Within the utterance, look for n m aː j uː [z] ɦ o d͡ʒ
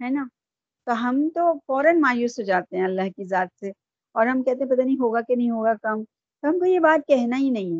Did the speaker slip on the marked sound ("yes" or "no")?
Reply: yes